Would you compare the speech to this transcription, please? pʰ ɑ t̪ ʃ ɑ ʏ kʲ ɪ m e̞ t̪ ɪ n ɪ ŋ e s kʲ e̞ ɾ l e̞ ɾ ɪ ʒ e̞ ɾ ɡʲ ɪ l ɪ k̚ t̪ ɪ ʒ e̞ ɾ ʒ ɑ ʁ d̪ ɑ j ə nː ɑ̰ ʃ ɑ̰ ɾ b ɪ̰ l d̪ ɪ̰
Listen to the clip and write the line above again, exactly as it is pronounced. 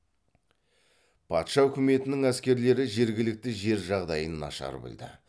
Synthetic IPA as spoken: pʰ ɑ t̪ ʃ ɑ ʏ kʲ ɪ m e̞ t̪ ɪ n ɪ ŋ æ s kʲ e̞ ɾ l e̞ ɾ ɪ ʒ e̞ ɾ ɡʲ ɪ l ɪ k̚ t̪ ɪ ʒ e̞ ɾ ʒ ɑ ʁ d̪ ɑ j ə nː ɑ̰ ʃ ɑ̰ ɾ b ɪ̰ l d̪ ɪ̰